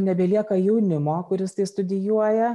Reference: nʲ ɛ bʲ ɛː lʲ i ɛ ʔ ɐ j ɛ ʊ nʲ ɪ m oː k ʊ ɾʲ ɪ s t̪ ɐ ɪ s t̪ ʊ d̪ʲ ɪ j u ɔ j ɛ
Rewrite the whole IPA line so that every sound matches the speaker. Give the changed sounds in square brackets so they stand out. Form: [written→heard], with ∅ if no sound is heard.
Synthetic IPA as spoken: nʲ ɛ bʲ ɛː lʲ i ɛ [ʔ→k] ɐ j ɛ ʊ nʲ ɪ m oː k ʊ ɾʲ ɪ s t̪ ɐ ɪ s t̪ ʊ d̪ʲ ɪ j u ɔ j ɛ